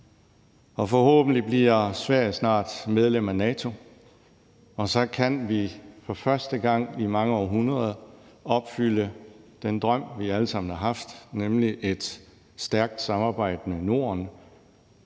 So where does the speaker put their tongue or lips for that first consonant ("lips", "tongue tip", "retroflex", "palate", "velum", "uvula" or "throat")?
lips